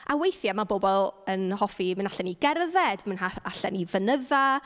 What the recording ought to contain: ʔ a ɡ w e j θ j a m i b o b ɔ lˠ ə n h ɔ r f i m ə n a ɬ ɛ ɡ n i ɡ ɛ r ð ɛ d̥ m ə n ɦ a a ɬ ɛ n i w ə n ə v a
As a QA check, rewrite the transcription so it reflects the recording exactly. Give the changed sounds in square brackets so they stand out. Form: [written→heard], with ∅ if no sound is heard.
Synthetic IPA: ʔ a [ɡ→∅] w e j θ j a m [i→a] b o b ɔ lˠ ə n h ɔ [r→∅] f i m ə n a ɬ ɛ [ɡ→∅] n i ɡ ɛ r ð ɛ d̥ m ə n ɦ a a ɬ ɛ n i [w→v] ə n ə [v→ð] a